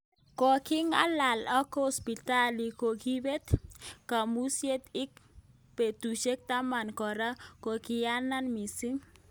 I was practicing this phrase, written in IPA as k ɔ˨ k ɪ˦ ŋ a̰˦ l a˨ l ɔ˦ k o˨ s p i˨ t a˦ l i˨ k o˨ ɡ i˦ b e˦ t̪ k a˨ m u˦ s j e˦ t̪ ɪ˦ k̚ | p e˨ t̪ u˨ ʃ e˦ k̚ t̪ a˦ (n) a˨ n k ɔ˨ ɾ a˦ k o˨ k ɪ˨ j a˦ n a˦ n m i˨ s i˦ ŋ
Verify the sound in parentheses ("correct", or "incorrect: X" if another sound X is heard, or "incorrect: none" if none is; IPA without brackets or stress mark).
incorrect: m